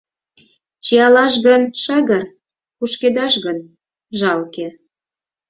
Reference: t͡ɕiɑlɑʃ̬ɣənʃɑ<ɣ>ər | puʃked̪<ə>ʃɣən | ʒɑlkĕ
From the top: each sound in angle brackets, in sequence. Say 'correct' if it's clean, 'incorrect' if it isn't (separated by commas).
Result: correct, incorrect